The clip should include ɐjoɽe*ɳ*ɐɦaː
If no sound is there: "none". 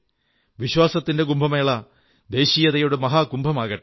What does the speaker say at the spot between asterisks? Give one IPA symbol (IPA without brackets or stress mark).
m